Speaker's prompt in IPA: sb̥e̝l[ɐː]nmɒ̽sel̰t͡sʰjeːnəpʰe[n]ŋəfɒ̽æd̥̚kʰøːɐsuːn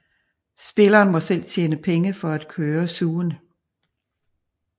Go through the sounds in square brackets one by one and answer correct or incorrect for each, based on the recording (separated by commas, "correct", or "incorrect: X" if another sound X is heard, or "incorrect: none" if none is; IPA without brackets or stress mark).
correct, incorrect: none